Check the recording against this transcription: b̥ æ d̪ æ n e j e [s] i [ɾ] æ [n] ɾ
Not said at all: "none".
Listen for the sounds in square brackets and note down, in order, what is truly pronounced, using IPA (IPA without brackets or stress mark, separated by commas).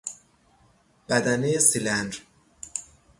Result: s, l, n